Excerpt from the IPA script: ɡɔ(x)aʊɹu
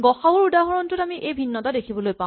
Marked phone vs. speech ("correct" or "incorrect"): correct